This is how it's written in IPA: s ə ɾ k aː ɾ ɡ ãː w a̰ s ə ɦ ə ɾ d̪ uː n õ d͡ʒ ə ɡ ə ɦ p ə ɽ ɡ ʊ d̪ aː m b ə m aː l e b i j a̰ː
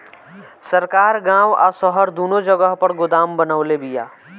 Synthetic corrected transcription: s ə ɾ k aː ɾ ɡ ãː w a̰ s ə ɦ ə ɾ d̪ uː n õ d͡ʒ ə ɡ ə ɦ p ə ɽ ɡ ʊ d̪ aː m b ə n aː l e b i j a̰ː